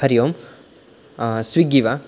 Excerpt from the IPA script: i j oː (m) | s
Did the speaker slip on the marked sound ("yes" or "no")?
no